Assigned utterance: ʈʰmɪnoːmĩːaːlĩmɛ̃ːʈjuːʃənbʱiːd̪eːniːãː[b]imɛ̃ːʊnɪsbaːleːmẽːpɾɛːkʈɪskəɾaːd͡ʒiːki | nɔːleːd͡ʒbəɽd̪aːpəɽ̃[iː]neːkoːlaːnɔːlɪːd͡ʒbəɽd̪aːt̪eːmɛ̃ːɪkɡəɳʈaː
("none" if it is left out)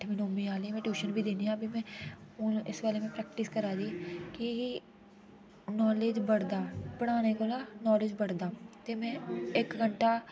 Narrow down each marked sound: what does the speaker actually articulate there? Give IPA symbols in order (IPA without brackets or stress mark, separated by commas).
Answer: b, aː